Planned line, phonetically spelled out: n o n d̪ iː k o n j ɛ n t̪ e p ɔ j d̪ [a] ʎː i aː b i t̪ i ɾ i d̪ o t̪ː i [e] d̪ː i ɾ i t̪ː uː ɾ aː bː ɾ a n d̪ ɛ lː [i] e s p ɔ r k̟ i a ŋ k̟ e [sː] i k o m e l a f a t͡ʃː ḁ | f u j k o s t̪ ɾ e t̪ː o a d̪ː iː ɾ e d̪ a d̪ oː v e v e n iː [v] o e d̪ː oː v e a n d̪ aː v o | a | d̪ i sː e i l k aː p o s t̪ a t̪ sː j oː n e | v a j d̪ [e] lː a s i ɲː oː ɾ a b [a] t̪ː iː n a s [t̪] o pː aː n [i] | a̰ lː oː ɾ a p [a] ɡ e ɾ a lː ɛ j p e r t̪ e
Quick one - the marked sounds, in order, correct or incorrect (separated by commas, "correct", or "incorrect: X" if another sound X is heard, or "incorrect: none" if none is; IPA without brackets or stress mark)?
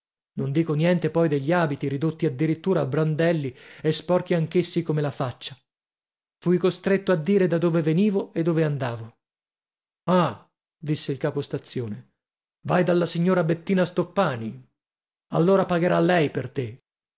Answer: incorrect: e, incorrect: a, correct, correct, correct, incorrect: a, incorrect: e, correct, correct, correct